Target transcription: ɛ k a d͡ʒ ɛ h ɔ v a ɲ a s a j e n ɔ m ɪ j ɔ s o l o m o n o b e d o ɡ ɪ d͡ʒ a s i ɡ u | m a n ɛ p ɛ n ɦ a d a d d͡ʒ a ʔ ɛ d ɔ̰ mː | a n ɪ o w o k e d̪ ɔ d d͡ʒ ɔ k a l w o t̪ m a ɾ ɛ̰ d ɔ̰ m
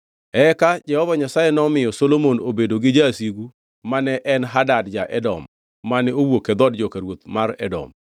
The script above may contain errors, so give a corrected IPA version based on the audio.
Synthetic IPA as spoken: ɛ k a d͡ʒ ɛ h ɔ v a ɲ a s a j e n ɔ m ɪ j ɔ s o l o m o n o b e d o ɡ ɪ d͡ʒ a s i ɡ u | m a n ɛ ʔ ɛ n ɦ a d a d d͡ʒ a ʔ ɛ d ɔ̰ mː | a n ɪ o w o k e d̪ ɔ d d͡ʒ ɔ k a ɾ w o t̪ m a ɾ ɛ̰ d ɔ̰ m

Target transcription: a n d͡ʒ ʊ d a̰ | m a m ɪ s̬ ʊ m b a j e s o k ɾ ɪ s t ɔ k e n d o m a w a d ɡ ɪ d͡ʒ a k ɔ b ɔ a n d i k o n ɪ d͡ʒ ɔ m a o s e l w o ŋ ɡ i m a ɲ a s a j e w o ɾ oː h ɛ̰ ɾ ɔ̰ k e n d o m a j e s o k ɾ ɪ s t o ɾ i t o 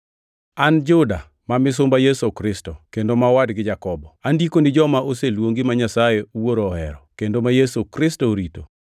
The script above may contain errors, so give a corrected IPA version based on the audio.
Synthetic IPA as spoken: a n d͡ʒ ʊ d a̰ | m a m ɪ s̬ ʊ m b a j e s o k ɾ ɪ s t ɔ k e n d o m a w a d ɡ ɪ d͡ʒ a k ɔ b ɔ a n d i k o n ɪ d͡ʒ ɔ m a o s e l w o ŋ ɡ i m a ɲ a s a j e w o ɾ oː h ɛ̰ ɾ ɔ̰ k e n d o m a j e s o k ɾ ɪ s t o ɾ i t o

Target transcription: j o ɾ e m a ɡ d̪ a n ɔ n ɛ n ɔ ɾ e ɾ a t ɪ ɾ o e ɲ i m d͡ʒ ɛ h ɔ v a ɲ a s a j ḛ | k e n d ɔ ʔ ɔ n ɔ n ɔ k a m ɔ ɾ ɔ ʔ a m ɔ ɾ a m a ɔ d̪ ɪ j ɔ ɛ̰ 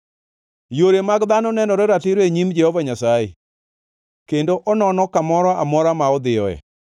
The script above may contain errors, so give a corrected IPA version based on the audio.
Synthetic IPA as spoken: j o ɾ e m a ɡ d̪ a n ɔ n ɛ n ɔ ɾ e ɾ a t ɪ ɾ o e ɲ i m d͡ʒ ɛ h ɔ v a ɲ a s a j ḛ | k e n d o ʔ ɔ n ɔ n ɔ k a m ɔ ɾ ɔ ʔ a m ɔ ɾ a m a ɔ d̪ ɪ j ɔ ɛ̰

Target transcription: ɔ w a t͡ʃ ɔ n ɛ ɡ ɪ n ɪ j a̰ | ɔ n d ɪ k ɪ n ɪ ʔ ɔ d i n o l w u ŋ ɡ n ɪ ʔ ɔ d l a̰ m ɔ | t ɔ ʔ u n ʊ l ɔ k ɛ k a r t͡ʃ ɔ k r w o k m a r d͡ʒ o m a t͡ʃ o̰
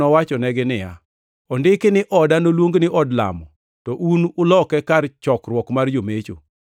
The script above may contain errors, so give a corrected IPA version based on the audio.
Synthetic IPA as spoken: ɔ w a t͡ʃ ɔ n ɛ ɡ ɪ n ɪ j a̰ | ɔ n d ɪ k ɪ n ɪ ʔ ɔ d a n o l w o ŋ ɡ n ɪ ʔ ɔ d l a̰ m ɔ | t ɔ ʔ u n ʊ l ɔ k ɛ k a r t͡ʃ ɔ k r w ɔ k m a r d͡ʒ o m e t͡ʃ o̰

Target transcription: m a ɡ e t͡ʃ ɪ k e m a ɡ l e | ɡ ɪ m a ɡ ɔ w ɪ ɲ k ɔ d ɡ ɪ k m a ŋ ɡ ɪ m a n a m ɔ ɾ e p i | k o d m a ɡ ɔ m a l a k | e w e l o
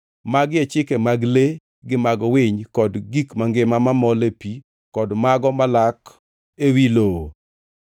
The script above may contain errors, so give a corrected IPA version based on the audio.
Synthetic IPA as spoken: m a ɡ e t͡ʃ ɪ k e m a ɡ l e | ɡ ɪ m a ɡ ɔ w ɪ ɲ k ɔ d ɡ i k m a ŋ ɡ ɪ m a m a m ɔ l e p i | k ɔ d m a ɡ ɔ m a l a k | e w i l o

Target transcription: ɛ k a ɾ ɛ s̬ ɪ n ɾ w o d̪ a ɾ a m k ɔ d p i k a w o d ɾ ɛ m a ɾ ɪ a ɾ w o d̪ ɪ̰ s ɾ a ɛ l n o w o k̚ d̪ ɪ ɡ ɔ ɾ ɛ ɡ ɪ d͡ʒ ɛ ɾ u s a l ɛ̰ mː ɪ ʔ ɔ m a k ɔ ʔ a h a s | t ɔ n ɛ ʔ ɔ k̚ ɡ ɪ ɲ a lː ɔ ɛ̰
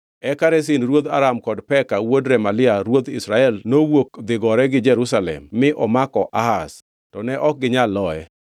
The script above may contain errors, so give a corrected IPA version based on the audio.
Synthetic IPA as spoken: ɛ k a ɾ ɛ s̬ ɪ n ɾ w o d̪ a ɾ a m k ɔ d p ɛ k a w o d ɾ ɛ m a l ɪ a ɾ w o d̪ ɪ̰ s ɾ a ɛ l n o w o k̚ d̪ ɪ ɡ ɔ ɾ ɛ ɡ ɪ d͡ʒ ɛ ɾ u s a l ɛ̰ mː ɪ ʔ ɔ m a k ɔ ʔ a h a s | t ɔ n ɛ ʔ ɔ k̚ ɡ ɪ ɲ a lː ɔ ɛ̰

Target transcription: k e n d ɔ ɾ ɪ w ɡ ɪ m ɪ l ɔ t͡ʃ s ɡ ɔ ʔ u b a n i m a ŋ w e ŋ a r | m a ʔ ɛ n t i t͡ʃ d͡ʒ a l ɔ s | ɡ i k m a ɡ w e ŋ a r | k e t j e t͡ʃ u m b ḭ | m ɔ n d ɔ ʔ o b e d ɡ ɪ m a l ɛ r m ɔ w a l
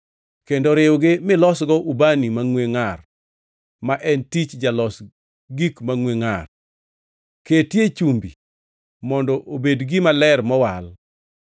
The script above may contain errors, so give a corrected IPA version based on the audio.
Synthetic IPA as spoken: k e n d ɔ ɾ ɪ w ɡ ɪ m ɪ l ɔ s ɡ ɔ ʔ u b a n i m a ŋ w e ŋ a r | m a ʔ ɛ n t i t͡ʃ d͡ʒ a l ɔ s | ɡ i k m a ŋ w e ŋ a r | k e t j e t͡ʃ u m b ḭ | m ɔ n d ɔ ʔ o b e d ɡ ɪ m a l ɛ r m ɔ w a l

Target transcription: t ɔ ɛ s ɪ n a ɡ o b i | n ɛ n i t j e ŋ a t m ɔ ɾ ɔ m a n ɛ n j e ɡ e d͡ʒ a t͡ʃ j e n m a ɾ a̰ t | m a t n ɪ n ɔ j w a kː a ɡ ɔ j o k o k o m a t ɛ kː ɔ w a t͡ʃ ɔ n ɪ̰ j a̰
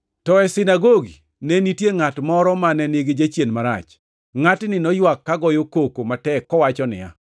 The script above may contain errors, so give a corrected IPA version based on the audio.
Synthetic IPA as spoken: t ɔ ɛ s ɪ n a ɡ o ɡ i | n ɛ n i t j e ŋ a t m ɔ ɾ ɔ m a n ɛ n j e ɡ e d͡ʒ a t͡ʃ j e n m a ɾ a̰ t͡ʃ | ŋ a t n ɪ n ɔ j w a kː a ɡ ɔ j o k o k o m a t ɛ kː ɔ w a t͡ʃ ɔ n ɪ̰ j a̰

